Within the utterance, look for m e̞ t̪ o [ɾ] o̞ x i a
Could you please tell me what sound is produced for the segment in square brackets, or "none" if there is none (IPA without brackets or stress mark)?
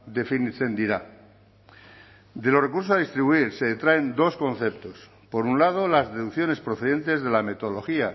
l